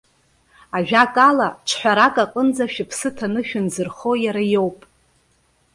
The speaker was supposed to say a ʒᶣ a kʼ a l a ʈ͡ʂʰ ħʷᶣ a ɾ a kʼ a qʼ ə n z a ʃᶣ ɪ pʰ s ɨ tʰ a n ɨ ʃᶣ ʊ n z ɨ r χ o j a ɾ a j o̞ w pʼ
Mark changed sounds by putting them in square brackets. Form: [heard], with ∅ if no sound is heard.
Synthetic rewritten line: a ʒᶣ a kʼ a l a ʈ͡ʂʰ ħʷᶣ a ɾ a kʼ a qʼ ə n [d͡z] a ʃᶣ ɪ pʰ s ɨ tʰ a n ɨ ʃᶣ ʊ n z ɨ r χ o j a ɾ a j o̞ w pʼ